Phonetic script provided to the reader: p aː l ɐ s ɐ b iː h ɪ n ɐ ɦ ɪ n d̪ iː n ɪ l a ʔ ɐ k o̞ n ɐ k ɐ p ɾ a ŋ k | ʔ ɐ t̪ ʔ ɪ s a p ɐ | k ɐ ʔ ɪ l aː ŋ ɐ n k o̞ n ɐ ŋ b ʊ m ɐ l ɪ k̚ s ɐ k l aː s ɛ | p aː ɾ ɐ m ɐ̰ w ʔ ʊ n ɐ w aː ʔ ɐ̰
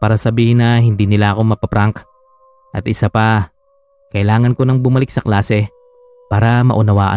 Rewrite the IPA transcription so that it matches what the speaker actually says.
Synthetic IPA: p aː ɾ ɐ s ɐ b iː h ɪ n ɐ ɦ ɪ n d̪ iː n ɪ l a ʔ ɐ k o̞ m ɐ p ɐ p ɾ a ŋ k | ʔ ɐ t̪ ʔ ɪ s a p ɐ | k ɐ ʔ ɪ l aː ŋ ɐ n k o̞ n ɐ ŋ b ʊ m ɐ l ɪ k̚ s ɐ k l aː s ɛ | p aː ɾ ɐ m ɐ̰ ʔ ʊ n ɐ w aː ʔ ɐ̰